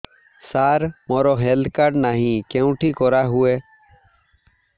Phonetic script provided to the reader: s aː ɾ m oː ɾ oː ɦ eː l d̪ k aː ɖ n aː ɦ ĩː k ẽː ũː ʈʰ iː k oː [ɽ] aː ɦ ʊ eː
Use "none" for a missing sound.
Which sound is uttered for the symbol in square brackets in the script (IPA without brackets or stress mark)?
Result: ɾ